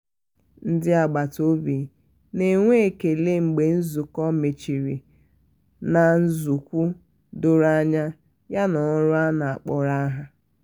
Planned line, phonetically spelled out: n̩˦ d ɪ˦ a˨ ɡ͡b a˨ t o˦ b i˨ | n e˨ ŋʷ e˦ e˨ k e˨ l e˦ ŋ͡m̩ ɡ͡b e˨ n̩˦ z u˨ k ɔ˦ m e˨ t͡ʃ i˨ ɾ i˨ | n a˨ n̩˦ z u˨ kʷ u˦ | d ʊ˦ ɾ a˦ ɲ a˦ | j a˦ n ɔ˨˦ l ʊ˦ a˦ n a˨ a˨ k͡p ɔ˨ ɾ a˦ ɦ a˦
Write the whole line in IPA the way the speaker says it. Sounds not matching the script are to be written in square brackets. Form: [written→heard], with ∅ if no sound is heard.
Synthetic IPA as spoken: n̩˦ d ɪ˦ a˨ ɡ͡b a˨ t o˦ b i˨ | n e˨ ŋʷ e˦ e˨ k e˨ l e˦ ŋ͡m̩ ɡ͡b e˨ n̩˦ z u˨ k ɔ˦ m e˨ t͡ʃ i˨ ɾ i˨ | n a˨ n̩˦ z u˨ kʷ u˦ | d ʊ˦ ɾ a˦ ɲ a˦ | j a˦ n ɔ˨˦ [l→ɾ] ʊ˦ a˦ n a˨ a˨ k͡p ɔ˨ ɾ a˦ ɦ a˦